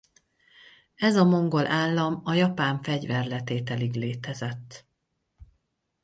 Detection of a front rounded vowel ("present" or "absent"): absent